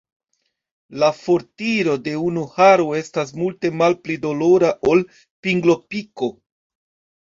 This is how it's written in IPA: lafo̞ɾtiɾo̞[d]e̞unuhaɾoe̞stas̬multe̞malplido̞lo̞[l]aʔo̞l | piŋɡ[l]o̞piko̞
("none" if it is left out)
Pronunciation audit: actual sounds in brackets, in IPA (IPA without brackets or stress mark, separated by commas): d, ɾ, l